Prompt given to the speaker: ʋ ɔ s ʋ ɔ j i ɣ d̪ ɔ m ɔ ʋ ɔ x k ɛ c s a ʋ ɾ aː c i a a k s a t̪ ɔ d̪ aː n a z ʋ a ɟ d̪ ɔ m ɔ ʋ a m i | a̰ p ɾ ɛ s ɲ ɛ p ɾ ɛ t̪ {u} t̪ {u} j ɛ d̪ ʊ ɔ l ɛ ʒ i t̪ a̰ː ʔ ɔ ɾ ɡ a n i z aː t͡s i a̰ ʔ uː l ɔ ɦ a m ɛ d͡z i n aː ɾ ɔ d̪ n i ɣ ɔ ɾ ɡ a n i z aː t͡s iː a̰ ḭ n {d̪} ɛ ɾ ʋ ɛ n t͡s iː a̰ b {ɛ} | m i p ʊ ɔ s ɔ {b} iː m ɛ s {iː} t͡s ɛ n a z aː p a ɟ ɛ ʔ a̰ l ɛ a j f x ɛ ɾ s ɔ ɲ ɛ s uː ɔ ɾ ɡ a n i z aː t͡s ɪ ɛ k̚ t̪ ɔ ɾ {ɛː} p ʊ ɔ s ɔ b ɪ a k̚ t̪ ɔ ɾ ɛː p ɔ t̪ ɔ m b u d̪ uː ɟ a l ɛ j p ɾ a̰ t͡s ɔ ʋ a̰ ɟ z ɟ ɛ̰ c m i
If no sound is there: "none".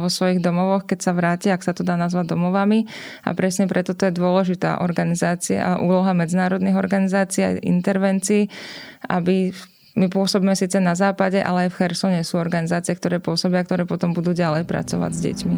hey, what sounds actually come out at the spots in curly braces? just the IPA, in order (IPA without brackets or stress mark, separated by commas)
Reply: ɔ, ɔ, t̪, i, b, iː, ɛː